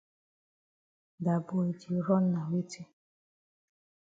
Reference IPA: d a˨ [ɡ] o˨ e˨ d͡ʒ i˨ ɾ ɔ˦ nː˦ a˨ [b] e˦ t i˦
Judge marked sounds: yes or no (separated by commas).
no, no